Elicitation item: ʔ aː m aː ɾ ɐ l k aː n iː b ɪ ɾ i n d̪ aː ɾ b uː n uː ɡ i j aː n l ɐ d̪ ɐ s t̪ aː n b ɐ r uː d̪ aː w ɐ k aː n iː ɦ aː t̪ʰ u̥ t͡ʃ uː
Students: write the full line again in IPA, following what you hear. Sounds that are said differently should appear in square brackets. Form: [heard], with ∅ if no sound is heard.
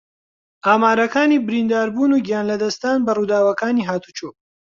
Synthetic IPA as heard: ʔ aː m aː ɾ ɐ [∅] k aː n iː b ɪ ɾ i n d̪ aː ɾ b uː n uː ɡ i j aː n l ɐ d̪ ɐ s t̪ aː n b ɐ r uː d̪ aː w ɐ k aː n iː ɦ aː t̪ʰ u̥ t͡ʃ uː

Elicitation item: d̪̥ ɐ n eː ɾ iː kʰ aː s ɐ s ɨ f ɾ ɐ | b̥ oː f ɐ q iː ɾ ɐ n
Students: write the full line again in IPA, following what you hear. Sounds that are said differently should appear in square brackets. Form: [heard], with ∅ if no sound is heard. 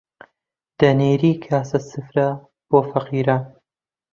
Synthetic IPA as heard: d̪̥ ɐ n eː ɾ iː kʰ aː s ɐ s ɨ f ɾ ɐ | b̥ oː f ɐ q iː ɾ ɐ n

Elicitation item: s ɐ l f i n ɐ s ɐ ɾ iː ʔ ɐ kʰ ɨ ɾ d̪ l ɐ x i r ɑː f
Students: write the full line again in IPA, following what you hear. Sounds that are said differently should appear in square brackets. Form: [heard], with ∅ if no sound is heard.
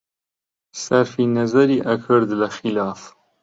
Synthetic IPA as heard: s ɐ [ɾ] f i n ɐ [z] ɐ ɾ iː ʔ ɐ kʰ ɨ ɾ d̪ l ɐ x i [l] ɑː f

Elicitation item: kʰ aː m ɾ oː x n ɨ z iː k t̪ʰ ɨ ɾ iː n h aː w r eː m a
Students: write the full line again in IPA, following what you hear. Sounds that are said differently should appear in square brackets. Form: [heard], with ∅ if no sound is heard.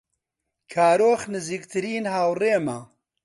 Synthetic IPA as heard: kʰ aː [∅] ɾ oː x n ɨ z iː k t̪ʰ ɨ ɾ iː n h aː w r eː m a

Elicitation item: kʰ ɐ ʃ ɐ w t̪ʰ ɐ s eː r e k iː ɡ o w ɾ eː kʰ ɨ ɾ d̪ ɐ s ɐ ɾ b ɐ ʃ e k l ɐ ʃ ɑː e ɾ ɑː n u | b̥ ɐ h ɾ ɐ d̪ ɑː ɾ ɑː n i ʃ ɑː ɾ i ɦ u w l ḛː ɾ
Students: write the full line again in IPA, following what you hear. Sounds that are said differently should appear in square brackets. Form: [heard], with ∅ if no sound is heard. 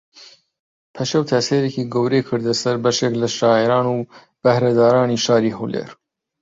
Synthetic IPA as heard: [pʰ] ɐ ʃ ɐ w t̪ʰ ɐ s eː [ɾ] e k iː ɡ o w ɾ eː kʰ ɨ ɾ d̪ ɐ s ɐ ɾ b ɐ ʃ e k l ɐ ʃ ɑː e ɾ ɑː n u | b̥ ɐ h ɾ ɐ d̪ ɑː ɾ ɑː n i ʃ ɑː ɾ i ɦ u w l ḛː ɾ

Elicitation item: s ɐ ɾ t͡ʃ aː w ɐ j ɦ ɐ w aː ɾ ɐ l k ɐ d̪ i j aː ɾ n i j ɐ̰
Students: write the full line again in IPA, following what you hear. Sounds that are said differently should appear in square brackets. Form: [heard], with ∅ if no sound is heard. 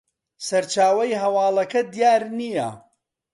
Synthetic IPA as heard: s ɐ ɾ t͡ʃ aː w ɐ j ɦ ɐ w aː [l] ɐ [∅] k ɐ d̪ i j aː ɾ n i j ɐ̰

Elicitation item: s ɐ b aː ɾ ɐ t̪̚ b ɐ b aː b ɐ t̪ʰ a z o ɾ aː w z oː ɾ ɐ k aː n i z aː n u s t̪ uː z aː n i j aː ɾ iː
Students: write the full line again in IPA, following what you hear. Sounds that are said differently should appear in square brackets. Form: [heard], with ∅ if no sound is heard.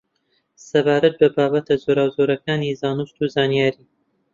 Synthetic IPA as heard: s ɐ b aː ɾ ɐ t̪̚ b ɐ b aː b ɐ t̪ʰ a z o ɾ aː w z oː ɾ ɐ k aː n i z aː n u s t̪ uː z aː n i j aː ɾ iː

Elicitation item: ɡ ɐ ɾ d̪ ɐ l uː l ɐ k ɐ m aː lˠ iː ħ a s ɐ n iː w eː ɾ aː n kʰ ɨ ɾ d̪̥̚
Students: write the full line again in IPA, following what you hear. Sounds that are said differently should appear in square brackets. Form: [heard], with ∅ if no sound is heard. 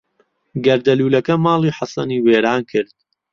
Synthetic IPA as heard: ɡ ɐ ɾ d̪ ɐ l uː l ɐ k ɐ m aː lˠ iː ħ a s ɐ n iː w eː ɾ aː n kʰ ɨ ɾ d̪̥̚

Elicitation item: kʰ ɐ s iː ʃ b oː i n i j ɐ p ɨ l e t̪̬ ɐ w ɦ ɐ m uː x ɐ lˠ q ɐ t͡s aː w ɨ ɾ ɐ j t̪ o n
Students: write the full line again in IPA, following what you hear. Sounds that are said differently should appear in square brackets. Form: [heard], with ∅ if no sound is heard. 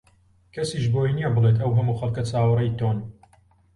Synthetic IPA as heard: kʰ ɐ s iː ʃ b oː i n i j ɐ [b] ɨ l e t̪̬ ɐ w ɦ ɐ m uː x ɐ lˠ [k] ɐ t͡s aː w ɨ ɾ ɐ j t̪ o n

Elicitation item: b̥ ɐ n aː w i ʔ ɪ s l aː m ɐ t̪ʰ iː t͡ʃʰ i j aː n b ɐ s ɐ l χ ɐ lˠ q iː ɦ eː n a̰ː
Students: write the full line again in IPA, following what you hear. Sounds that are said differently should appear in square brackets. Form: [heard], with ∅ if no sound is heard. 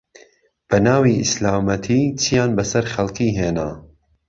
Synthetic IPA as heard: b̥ ɐ n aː w i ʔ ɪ s l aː m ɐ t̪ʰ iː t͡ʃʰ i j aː n b ɐ s ɐ [ɾ] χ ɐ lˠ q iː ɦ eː n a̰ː

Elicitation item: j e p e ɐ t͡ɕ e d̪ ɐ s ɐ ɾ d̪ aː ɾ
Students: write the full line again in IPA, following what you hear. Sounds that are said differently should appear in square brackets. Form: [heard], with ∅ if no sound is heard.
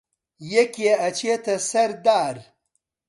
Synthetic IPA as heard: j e [k] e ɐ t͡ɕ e [t̪] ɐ s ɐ ɾ d̪ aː ɾ

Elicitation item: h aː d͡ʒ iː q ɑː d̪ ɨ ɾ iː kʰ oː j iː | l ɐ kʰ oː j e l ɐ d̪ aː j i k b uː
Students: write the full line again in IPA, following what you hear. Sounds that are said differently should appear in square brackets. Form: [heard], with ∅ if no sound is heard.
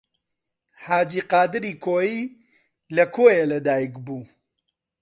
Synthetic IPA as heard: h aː d͡ʒ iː q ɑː d̪ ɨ ɾ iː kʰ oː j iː | l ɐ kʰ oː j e l ɐ d̪ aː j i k b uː

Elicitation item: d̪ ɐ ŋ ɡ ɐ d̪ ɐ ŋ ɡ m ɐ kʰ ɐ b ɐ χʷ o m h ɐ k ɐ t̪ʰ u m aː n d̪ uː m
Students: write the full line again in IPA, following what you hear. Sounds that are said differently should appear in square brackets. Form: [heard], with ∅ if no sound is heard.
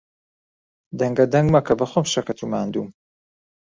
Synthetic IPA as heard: d̪ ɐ ŋ ɡ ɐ d̪ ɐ ŋ ɡ m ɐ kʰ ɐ b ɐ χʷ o m [ʃ] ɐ k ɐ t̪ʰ u m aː n d̪ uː m

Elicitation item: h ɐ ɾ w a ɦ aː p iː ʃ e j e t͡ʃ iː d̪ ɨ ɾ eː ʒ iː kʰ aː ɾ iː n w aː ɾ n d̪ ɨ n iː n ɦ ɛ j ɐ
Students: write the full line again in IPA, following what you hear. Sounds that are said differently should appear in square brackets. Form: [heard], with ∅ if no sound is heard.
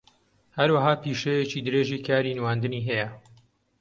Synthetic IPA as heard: h ɐ ɾ w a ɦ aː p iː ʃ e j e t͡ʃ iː d̪ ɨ ɾ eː ʒ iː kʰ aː ɾ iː n w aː [∅] n d̪ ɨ n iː [∅] ɦ ɛ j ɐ

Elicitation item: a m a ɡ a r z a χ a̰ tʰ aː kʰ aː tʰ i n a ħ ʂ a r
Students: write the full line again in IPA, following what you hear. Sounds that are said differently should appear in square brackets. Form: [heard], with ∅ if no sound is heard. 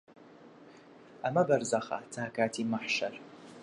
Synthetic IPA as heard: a m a [b] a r z a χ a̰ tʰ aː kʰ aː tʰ i [m] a ħ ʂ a r

